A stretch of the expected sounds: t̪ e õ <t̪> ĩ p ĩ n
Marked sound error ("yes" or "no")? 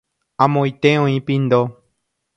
yes